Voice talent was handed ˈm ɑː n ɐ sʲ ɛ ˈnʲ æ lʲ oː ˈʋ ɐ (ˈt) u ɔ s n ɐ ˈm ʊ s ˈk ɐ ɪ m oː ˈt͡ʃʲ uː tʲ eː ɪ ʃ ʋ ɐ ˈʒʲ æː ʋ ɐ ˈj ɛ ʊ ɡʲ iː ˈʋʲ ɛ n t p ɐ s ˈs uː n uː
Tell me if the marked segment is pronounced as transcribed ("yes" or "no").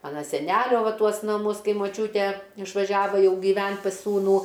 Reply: yes